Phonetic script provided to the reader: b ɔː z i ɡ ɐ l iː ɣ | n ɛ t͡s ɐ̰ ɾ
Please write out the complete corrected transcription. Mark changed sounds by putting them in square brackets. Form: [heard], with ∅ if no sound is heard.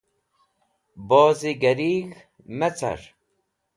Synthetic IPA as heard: b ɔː z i ɡ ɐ [ɾ] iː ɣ | [m] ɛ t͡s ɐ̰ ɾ